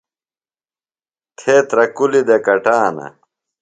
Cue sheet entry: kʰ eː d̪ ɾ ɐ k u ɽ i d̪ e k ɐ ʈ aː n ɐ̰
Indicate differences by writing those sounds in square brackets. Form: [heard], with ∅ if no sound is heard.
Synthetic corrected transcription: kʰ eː [t̪] ɾ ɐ k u [l] i d̪ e k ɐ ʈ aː n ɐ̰

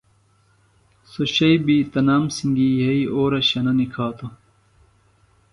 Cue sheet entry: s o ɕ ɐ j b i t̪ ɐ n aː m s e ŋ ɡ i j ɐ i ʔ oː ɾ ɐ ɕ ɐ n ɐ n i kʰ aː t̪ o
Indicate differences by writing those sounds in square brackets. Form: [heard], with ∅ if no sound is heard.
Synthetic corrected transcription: s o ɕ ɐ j b i t̪ ɐ n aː m s [i] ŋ ɡ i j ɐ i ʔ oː ɾ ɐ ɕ ɐ n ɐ n i kʰ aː t̪ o

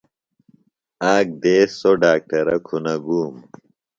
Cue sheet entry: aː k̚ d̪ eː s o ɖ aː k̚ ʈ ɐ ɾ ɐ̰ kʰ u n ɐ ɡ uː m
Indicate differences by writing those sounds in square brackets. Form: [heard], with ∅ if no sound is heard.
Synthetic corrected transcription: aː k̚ d̪ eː s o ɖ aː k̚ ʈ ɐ ɾ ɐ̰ kʰ u n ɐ ɡ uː m

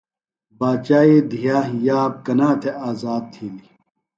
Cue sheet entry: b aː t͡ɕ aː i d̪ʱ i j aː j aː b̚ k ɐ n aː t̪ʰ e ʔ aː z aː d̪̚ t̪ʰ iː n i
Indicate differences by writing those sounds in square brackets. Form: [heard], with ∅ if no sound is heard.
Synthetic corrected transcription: b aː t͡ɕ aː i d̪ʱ i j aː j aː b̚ k ɐ n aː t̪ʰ e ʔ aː z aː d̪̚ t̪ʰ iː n i

